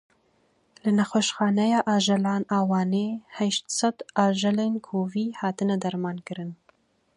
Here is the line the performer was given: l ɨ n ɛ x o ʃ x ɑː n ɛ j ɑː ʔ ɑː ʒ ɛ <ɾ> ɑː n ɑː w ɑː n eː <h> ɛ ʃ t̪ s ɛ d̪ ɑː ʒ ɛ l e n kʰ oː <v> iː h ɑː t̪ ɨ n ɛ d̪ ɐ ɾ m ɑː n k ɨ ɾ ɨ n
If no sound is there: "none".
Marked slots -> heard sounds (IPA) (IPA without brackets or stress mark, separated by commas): l, h, v